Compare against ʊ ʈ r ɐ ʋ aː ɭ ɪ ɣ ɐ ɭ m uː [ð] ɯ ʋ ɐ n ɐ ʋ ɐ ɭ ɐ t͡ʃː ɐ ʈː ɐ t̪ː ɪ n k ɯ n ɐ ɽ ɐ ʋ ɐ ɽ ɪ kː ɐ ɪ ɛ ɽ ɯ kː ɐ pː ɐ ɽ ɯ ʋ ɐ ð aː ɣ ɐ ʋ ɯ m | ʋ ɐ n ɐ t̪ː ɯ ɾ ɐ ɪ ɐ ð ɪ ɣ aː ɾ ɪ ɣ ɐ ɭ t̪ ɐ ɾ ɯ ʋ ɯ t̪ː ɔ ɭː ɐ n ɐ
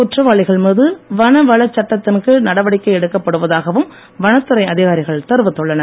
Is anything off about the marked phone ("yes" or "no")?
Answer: no